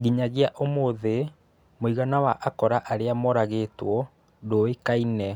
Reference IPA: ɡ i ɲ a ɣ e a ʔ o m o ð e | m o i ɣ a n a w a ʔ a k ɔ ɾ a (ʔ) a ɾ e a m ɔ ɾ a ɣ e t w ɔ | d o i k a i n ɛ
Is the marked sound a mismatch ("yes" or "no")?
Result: no